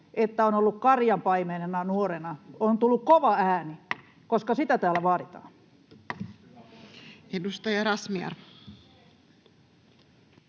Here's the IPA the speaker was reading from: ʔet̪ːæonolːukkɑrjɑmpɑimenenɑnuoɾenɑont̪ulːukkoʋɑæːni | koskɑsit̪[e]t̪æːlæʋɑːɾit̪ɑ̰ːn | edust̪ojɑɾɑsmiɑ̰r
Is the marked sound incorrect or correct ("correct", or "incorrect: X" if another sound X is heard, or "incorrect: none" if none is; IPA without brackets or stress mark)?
incorrect: æ